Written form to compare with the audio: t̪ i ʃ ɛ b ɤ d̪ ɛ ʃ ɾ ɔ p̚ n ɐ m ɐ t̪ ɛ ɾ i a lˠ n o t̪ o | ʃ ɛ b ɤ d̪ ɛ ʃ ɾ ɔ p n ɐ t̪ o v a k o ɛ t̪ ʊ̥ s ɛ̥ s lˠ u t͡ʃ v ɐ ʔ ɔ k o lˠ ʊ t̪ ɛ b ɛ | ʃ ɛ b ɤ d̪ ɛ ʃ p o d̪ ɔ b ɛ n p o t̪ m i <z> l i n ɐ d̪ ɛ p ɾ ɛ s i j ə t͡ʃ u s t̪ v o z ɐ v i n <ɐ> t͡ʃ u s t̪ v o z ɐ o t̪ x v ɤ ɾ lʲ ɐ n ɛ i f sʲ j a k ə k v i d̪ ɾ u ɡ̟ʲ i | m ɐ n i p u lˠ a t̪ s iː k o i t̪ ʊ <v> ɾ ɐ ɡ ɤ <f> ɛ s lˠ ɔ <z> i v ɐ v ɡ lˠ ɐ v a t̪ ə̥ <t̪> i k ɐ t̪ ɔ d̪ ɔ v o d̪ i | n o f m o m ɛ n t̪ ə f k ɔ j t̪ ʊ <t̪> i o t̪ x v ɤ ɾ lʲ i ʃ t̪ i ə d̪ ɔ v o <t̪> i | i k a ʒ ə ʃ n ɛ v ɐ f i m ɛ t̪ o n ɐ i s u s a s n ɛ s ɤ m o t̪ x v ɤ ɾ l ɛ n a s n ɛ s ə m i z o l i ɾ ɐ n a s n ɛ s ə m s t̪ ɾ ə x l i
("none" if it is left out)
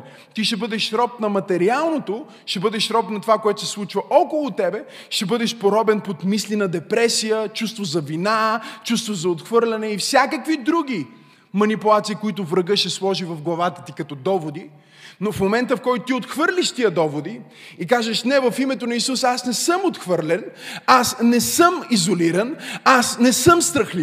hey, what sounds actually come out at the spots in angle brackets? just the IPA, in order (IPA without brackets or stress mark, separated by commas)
s, a, v, ʃ, ʒ, t̪, t̪, d̪